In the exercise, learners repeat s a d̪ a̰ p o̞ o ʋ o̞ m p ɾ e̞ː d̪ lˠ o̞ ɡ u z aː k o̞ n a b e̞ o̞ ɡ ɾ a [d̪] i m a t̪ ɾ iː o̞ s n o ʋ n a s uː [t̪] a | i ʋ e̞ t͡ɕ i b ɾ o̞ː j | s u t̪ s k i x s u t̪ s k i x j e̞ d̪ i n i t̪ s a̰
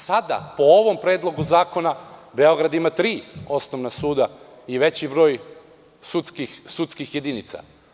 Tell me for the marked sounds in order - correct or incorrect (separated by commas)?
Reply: correct, incorrect